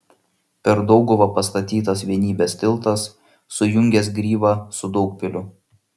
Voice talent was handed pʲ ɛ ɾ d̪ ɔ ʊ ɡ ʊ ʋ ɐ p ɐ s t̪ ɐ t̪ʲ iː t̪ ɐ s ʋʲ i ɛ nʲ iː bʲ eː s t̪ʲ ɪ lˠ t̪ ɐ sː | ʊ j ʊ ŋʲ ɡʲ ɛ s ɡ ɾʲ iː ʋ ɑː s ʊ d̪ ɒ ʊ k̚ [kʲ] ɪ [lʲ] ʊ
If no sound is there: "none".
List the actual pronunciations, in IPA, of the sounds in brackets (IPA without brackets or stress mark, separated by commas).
pʲ, lʲ